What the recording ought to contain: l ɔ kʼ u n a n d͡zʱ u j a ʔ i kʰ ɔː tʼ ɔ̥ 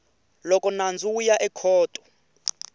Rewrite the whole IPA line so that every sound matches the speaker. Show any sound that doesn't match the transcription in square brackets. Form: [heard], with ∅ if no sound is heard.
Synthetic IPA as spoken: l ɔ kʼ [ɔ] n a n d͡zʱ u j a ʔ [ɛ] kʰ ɔː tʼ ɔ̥